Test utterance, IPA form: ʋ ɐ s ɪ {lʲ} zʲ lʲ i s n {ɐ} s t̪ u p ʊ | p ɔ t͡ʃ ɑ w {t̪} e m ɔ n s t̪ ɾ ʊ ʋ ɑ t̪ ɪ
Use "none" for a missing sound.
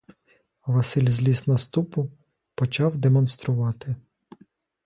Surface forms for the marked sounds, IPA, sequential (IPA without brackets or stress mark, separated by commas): lʲ, ɐ, d̪